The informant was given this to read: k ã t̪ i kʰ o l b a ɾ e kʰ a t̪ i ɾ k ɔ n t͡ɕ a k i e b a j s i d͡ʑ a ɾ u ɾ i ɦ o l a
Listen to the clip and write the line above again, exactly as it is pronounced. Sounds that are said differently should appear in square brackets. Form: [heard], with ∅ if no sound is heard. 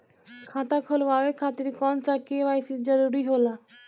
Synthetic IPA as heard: [kʰ] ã t̪ [a] kʰ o l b a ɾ e kʰ a t̪ i ɾ k ɔ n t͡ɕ a k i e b a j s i d͡ʑ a ɾ u ɾ i ɦ o l a